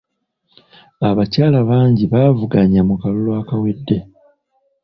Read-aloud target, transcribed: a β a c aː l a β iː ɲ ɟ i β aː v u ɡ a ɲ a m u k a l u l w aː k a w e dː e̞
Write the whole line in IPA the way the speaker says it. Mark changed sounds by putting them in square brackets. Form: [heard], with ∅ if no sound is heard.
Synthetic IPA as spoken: a β a c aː l a β [aː] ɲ ɟ i β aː v u ɡ a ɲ a m u k a l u l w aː k a w e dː e̞